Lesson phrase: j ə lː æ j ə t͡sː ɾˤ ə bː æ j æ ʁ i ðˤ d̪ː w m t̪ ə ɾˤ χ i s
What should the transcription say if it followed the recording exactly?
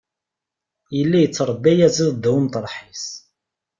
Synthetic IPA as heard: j ə lː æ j ə t͡sː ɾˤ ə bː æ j æ z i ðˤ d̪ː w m t̪ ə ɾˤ ħ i s